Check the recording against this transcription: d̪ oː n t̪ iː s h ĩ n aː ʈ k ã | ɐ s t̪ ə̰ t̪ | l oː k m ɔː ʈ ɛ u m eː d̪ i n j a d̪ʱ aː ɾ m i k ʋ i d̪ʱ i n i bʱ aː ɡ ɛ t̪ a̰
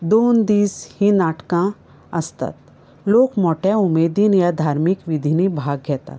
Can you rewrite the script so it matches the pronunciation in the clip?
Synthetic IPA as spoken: d̪ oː n d̪ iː s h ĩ n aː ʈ k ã | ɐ s t̪ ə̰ t̪ | l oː k m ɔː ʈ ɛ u m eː d̪ i n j a d̪ʱ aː ɾ m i k ʋ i d̪ʱ i n i bʱ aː ɡ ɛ t̪ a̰